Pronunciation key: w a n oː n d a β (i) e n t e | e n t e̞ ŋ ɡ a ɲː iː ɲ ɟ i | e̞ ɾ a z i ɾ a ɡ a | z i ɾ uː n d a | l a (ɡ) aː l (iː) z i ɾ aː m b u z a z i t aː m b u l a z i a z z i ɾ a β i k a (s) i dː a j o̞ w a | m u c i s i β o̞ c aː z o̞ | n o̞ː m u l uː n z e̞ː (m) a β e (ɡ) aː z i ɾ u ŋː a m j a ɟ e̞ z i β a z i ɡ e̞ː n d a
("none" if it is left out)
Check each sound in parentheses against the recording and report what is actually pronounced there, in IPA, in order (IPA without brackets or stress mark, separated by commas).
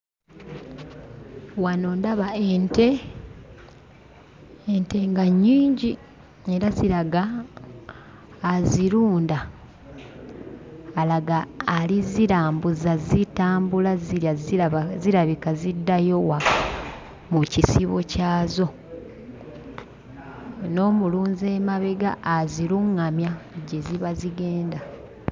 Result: a, ɡ, i, z, m, ɡ